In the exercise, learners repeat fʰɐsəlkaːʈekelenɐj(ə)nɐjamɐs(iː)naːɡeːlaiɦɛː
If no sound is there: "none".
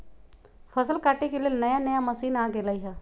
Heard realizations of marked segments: a, iː

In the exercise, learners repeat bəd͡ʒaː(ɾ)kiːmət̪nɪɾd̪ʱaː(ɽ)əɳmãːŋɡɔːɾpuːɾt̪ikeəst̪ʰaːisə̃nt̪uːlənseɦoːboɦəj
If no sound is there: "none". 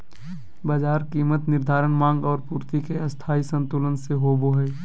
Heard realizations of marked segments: ɾ, ɾ

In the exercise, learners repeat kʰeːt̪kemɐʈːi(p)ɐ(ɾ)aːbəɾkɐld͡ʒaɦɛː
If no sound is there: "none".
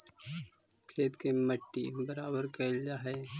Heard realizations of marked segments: b, ɾ

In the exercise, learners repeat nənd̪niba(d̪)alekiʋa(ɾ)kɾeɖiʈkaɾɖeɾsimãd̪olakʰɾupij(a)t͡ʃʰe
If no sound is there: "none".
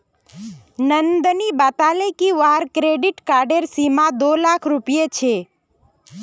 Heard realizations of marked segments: t̪, ɾ, e

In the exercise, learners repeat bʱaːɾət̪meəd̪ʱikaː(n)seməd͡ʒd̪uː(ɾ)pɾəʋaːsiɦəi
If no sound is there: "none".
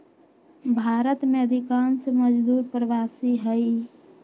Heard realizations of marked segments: n, ɾ

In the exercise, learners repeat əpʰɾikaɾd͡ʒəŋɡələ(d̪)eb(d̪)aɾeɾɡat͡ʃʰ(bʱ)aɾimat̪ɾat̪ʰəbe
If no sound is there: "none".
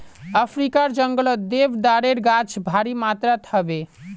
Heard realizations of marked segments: d̪, d̪, bʱ

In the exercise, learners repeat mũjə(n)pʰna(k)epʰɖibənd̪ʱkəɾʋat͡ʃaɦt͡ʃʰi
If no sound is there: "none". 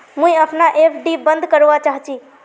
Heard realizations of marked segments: none, ʔ

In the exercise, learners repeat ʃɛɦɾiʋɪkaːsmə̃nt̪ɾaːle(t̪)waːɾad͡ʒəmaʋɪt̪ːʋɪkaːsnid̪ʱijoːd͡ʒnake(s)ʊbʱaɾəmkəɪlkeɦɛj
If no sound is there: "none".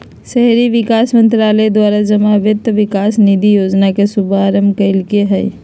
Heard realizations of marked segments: d̪, s

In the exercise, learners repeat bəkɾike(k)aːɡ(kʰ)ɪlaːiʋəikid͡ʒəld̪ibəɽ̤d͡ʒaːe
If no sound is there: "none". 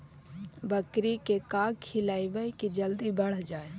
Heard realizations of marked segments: k, kʰ

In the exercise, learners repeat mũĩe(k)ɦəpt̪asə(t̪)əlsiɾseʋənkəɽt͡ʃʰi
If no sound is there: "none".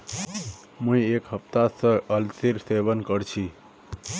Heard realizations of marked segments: k, none

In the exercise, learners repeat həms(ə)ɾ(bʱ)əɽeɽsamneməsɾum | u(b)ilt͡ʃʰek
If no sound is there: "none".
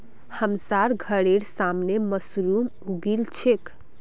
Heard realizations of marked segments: a, ɡʱ, ɡ

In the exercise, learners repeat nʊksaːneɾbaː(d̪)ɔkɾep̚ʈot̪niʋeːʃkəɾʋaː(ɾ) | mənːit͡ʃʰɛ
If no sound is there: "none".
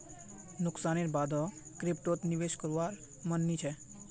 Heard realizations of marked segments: d̪, ɾ

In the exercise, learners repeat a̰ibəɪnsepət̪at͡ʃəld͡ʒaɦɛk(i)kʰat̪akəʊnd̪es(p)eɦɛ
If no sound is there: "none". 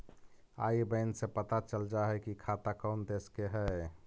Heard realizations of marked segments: i, k

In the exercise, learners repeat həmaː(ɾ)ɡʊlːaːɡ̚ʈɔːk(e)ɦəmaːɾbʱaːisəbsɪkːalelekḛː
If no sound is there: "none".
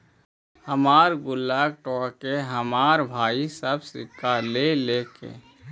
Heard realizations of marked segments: ɾ, e

